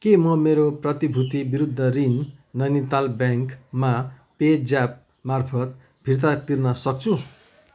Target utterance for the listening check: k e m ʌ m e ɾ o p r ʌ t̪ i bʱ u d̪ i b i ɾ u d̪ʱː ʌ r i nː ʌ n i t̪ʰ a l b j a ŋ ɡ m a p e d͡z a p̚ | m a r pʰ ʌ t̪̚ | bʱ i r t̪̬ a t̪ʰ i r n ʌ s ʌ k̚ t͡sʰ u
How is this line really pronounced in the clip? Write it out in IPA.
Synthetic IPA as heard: k e m ʌ m e ɾ o p r ʌ t̪ i bʱ u t̪ i b i ɾ u d̪ʱː ʌ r i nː ʌ n i t̪ a l b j a ŋ k m a p e d͡z a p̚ | m a r pʰ ʌ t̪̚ | bʱ i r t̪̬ a t̪ i r n ʌ s ʌ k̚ t͡sʰ u